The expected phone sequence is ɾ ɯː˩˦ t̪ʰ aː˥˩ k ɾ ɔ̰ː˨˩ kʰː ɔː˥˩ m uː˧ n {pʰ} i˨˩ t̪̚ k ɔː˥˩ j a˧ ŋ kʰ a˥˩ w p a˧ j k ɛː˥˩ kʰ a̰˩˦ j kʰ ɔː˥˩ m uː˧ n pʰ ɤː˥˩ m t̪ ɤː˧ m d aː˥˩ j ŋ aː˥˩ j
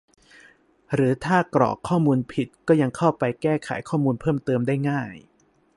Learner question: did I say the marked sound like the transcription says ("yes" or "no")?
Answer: yes